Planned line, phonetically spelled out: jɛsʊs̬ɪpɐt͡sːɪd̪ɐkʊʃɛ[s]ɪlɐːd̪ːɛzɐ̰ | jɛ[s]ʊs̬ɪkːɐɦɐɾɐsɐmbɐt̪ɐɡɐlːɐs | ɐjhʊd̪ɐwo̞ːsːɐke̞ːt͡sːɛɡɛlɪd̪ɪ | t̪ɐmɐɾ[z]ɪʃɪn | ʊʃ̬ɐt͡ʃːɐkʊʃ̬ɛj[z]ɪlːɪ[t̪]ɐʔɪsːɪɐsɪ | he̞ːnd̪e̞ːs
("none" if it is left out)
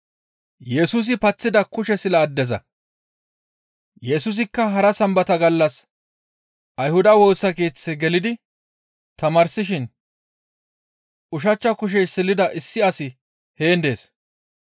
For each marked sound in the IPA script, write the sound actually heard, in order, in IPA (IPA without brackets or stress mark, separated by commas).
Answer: s, s, s, s, d̪